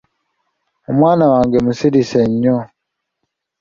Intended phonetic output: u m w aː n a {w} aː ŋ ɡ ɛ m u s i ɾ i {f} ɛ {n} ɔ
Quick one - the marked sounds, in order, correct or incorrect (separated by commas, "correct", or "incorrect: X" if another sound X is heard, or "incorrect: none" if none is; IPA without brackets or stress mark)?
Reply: correct, incorrect: s, incorrect: ɲ